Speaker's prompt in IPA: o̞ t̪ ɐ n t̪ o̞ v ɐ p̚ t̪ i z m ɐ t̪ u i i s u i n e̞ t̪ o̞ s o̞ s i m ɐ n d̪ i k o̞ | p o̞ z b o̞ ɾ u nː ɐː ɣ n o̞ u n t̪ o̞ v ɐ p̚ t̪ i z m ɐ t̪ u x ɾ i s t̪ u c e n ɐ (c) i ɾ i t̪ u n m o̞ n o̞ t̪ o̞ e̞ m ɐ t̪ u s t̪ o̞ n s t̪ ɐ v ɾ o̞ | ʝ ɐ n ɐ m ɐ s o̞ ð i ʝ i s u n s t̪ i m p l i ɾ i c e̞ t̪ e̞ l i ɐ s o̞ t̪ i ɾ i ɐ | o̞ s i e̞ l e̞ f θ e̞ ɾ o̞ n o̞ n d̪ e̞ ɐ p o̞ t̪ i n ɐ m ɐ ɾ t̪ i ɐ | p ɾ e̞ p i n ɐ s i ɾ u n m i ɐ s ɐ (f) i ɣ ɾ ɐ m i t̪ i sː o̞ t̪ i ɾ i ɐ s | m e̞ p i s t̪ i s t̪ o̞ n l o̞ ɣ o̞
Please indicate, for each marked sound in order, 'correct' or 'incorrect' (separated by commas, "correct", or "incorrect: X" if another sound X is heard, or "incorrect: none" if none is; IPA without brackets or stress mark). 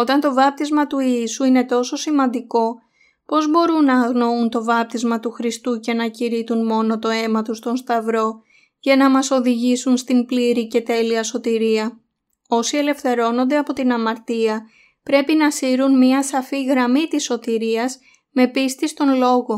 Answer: correct, correct